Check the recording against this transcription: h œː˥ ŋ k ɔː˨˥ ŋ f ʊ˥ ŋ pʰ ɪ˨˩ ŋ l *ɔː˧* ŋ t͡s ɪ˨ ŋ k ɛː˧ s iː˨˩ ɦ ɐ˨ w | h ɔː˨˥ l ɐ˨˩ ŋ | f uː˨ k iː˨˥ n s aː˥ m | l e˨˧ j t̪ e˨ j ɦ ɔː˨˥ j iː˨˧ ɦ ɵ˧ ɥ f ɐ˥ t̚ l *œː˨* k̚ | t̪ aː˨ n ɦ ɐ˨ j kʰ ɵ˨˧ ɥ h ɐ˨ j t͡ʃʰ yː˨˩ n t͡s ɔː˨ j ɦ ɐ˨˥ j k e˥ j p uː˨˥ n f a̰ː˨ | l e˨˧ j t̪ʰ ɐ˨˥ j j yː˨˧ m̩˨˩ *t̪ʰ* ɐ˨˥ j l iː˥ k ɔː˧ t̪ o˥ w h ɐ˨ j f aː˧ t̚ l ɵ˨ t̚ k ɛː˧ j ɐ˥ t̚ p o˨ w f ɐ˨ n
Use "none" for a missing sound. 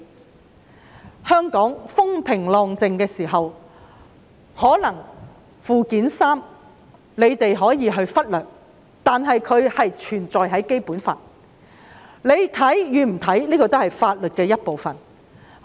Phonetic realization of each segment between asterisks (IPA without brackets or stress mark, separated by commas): ɔː˧, œː˨, t̪ʰ